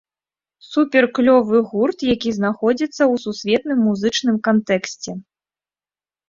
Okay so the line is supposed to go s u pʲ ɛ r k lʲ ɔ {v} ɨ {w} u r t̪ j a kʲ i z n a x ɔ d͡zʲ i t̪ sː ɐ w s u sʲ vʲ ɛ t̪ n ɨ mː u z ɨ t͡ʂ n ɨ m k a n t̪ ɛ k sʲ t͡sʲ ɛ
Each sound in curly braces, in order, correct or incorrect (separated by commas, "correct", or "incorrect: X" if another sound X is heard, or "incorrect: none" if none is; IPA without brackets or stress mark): correct, incorrect: ɣ